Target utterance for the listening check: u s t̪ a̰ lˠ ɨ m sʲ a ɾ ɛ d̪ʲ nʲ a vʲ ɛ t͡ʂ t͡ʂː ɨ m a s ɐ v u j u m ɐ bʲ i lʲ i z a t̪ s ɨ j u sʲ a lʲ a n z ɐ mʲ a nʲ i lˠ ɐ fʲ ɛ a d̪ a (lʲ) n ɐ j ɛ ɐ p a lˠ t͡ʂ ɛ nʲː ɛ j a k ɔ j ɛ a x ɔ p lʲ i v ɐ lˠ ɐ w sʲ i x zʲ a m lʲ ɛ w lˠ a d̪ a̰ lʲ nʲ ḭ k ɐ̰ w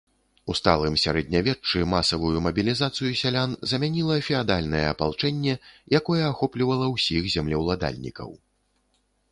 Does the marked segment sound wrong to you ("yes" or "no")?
no